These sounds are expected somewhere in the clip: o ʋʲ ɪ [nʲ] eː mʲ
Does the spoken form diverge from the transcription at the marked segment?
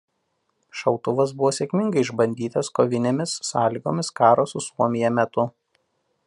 no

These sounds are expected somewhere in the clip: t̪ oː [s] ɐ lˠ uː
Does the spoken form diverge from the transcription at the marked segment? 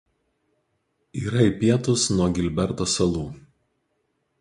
no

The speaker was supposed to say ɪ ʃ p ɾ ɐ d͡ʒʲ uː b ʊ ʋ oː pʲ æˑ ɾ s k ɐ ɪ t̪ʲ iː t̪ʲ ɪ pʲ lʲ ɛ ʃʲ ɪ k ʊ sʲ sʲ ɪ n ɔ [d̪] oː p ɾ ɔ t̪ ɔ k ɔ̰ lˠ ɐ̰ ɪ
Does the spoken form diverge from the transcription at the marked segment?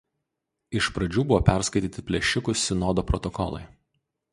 no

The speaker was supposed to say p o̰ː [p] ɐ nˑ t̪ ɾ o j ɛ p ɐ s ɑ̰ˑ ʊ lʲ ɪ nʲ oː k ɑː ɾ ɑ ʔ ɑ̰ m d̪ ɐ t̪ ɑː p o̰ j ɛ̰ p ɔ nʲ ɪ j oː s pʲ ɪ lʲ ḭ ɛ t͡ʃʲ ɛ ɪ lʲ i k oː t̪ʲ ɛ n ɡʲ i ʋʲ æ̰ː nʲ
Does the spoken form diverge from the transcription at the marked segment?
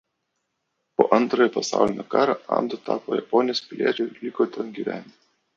yes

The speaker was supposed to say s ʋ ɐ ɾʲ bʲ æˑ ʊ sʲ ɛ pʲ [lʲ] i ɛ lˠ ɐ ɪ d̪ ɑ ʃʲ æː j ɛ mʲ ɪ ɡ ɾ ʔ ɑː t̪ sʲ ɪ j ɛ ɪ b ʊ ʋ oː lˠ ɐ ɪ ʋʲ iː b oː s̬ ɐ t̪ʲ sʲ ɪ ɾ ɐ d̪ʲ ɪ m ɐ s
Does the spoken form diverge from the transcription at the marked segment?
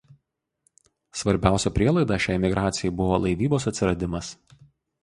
yes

